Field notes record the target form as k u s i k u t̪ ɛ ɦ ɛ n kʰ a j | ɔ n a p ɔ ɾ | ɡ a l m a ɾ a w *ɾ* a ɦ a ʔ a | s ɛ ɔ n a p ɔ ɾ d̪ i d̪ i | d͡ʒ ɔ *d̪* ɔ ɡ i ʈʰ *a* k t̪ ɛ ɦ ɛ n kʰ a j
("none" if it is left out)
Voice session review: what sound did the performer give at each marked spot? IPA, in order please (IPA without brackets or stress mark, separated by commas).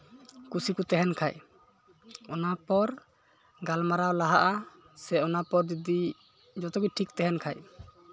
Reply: l, t̪, i